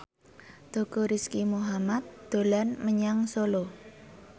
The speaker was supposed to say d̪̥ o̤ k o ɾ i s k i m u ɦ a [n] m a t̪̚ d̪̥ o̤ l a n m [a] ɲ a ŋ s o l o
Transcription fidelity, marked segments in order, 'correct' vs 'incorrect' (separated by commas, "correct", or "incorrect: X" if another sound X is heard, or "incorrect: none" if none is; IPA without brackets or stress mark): incorrect: none, incorrect: ə